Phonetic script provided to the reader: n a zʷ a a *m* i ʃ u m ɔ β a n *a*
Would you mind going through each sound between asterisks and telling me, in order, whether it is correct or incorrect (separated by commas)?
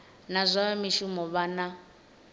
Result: correct, correct